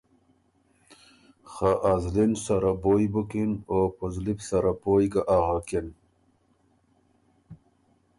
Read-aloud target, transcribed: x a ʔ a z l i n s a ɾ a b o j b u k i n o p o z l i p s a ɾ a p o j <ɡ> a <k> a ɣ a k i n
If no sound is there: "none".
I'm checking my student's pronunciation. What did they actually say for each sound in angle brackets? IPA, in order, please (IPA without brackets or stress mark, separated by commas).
ɡ, ʔ